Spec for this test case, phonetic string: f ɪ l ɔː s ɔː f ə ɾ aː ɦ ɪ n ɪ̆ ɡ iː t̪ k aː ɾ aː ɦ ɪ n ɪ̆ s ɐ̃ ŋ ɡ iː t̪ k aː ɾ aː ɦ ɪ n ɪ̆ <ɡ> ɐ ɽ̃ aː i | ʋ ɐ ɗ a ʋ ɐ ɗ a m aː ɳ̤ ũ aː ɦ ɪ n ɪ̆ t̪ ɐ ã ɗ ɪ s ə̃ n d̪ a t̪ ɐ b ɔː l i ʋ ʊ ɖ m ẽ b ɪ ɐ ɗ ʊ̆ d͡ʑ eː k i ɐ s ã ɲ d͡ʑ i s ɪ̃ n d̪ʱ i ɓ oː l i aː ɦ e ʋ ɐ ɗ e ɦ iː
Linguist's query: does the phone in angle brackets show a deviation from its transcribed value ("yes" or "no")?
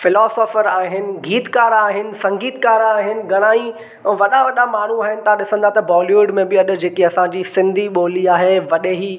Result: no